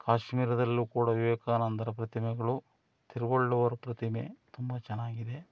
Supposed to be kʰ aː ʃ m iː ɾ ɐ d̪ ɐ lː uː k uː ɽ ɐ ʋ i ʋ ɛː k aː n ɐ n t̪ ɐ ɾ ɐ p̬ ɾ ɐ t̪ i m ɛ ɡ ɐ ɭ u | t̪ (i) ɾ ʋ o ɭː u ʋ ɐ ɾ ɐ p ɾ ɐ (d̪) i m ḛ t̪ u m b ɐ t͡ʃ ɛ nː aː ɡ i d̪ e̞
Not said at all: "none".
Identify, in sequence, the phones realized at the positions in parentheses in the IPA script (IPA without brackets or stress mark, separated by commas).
i, t̪